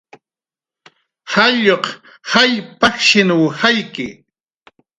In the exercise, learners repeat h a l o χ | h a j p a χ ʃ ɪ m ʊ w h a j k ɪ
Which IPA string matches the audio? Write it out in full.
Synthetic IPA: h a ʎ o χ | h a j p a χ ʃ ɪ n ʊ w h a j k ɪ